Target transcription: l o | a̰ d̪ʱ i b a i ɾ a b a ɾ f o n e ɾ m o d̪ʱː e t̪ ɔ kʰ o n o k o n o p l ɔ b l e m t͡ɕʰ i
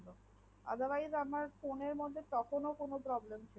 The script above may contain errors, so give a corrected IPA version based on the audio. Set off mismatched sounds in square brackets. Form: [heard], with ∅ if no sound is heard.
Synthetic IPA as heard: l o | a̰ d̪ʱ [a] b a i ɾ a [m] a ɾ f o n e ɾ m o d̪ʱː e t̪ ɔ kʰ o n o k o n o p [ɾ] ɔ b l e m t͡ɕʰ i

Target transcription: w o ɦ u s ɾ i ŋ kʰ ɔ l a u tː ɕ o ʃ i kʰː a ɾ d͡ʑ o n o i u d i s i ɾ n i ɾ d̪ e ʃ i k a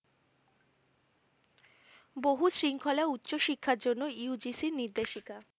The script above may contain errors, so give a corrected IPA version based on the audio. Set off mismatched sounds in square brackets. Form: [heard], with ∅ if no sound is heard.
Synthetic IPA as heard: [b] o ɦ u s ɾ i ŋ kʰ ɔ l a u tː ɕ o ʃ i kʰː a ɾ d͡ʑ o [nː] o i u [d͡ʑ] i s i ɾ n i ɾ d̪ e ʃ i k a

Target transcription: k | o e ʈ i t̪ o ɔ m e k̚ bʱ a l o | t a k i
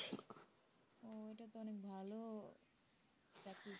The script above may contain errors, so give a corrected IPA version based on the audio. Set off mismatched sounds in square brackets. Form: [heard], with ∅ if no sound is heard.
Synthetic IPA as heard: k | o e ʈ [a] t̪ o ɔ [n] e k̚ bʱ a l o | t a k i

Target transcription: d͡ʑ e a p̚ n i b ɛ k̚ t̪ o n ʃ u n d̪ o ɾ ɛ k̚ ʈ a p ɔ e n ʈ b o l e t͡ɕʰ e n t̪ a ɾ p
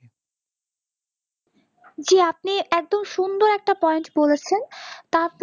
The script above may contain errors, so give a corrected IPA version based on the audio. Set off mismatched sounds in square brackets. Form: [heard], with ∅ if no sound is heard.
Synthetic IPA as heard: d͡ʑ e a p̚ n i [∅] ɛ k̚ [d̪] o [m] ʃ u n d̪ o ɾ ɛ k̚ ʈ a p ɔ e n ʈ b o l e t͡ɕʰ e n t̪ a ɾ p

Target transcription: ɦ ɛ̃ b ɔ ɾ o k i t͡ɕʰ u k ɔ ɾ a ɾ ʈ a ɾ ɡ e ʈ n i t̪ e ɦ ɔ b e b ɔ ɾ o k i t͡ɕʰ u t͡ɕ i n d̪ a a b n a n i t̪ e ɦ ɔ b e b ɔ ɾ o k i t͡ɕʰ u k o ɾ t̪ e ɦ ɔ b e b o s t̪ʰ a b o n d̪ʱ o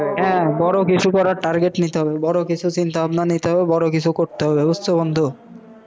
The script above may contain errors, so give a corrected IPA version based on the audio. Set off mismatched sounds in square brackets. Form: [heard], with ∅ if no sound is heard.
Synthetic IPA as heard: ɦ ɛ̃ b ɔ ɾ o k i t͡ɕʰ u k ɔ ɾ a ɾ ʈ a ɾ ɡ e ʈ n i t̪ e ɦ ɔ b e b ɔ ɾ o k i t͡ɕʰ u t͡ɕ i n [t̪] a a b n a n i t̪ e ɦ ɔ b e b ɔ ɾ o k i t͡ɕʰ u k o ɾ t̪ e ɦ ɔ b e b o s t̪ʰ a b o n d̪ʱ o

